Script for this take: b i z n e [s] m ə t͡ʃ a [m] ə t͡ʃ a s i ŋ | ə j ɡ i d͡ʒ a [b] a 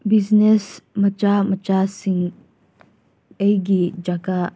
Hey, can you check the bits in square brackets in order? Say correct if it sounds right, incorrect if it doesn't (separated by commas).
correct, correct, incorrect